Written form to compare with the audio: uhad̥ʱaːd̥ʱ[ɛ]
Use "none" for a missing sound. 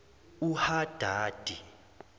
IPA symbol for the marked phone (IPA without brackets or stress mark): i